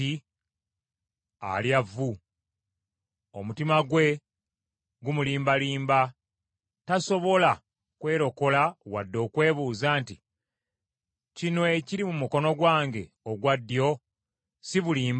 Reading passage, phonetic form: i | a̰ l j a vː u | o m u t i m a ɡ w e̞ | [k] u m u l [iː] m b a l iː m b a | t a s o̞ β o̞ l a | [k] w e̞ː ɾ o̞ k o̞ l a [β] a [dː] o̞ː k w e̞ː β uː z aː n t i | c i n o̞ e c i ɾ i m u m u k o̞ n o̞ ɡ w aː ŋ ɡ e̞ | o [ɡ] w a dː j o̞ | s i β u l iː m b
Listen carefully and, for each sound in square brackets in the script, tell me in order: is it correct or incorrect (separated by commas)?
incorrect, correct, correct, incorrect, correct, correct